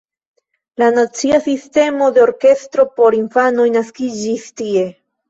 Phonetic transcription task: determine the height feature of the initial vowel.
low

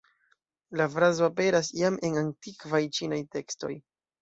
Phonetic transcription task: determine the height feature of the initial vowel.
low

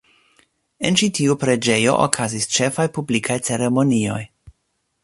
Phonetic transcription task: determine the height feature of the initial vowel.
mid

